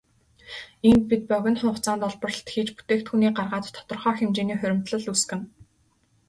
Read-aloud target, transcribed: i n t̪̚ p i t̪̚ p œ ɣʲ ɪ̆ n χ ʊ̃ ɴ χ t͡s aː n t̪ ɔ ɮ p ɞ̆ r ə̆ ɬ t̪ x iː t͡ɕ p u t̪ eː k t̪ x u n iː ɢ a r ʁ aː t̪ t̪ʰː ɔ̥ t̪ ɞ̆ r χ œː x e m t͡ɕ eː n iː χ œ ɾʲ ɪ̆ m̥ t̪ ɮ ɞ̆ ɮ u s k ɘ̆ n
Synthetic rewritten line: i n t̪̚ p i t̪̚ p œ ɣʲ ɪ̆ n χ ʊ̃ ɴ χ t͡s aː n t̪ ɔ ɮ p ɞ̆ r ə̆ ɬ t̪ x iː t͡ɕ p u t̪ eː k t̪ x u n iː ɢ a r ʁ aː t̪ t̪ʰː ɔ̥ t̪ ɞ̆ r χ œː x e m t͡ɕ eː n iː χ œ ɾʲ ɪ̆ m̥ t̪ ɮ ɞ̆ ɮ u s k ɘ̆ n